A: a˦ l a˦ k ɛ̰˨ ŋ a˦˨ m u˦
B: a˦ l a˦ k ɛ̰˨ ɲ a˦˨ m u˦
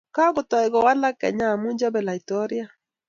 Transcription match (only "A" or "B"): B